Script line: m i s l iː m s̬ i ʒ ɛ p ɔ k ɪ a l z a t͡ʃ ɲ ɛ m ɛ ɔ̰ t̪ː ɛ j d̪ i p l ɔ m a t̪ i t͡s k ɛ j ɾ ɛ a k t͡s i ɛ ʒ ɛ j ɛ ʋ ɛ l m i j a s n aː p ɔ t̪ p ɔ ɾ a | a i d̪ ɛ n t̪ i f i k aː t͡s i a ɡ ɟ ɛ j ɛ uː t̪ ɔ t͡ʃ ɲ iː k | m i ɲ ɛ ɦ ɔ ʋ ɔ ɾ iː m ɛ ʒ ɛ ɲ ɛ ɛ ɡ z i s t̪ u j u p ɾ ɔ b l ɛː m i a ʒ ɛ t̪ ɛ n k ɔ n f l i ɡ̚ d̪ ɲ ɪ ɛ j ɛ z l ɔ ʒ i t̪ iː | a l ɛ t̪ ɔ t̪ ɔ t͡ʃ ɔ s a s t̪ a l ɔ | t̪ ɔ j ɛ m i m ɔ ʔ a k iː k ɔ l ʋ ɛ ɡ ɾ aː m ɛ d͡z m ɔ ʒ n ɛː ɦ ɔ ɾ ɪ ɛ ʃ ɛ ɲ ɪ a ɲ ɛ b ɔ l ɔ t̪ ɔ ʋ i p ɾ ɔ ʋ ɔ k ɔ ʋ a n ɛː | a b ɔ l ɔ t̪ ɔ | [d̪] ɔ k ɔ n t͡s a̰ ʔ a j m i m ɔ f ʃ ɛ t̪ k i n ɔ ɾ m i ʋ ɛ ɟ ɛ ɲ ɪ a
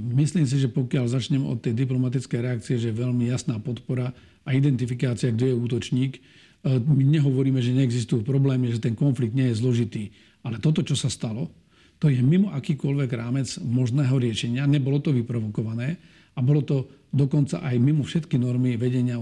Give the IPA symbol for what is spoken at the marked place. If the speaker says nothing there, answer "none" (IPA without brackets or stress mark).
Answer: d̪